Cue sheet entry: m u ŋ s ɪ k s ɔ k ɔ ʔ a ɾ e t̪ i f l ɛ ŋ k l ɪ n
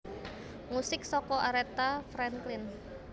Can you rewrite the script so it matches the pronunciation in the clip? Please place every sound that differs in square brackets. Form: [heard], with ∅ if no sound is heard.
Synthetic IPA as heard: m u [∅] s ɪ k s ɔ k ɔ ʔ a ɾ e t̪ [a] f [ɾ] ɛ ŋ k l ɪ n